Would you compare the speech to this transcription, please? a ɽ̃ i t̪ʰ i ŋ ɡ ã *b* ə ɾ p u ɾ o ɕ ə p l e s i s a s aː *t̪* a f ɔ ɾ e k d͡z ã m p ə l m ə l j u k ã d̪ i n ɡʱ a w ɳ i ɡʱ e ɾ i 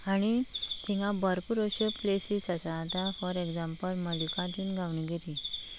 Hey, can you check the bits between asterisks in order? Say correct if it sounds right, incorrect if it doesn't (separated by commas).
correct, correct